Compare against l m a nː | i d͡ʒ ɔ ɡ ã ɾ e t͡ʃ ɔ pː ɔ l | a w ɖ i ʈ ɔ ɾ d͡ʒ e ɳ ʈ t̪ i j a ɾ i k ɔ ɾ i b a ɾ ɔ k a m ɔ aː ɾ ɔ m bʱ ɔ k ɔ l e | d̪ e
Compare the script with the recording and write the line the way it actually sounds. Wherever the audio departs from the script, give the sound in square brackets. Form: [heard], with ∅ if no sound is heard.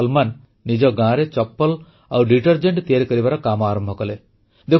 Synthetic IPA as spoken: l m a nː | i d͡ʒ ɔ ɡ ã ɾ e t͡ʃ ɔ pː ɔ l | a w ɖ i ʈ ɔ ɾ d͡ʒ e ɳ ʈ t̪ i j a ɾ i k ɔ ɾ i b a ɾ ɔ k a m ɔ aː ɾ ɔ m bʱ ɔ k ɔ l e | d̪ e